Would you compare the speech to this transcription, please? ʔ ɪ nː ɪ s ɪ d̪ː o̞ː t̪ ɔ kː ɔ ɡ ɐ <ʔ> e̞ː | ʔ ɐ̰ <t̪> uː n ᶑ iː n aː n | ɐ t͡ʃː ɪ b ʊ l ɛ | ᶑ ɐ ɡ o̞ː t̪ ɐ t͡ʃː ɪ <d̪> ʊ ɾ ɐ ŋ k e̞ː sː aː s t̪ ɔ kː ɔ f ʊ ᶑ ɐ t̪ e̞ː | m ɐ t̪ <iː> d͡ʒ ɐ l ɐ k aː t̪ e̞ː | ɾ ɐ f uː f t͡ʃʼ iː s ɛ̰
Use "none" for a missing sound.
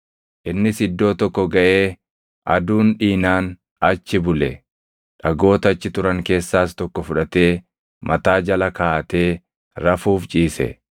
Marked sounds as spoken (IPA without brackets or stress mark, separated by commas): ʔ, d̪, t̪, aː